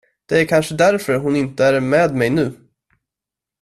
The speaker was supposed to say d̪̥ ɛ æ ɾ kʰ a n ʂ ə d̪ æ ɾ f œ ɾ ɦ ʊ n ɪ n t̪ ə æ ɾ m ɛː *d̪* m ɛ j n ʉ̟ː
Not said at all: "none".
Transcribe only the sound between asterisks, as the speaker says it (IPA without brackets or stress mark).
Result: d̪